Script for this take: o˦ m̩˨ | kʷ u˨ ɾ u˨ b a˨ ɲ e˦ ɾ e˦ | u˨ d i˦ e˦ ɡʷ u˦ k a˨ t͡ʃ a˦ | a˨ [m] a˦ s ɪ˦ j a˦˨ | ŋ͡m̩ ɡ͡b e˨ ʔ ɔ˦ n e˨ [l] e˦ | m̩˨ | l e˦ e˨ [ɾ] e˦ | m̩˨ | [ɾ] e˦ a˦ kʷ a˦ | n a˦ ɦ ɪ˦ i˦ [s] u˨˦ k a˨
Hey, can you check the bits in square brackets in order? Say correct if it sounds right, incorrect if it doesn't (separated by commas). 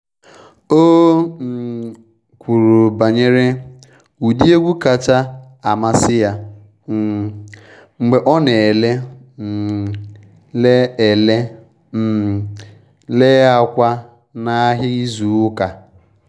correct, correct, incorrect, incorrect, incorrect